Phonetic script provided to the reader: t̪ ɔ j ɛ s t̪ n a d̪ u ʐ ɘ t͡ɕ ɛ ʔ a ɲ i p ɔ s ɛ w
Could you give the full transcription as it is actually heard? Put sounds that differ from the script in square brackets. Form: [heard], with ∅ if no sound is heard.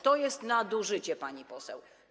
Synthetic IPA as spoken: t̪ ɔ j ɛ s t̪ n a d̪ u ʐ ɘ t͡ɕ ɛ [p] a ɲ i p ɔ s ɛ w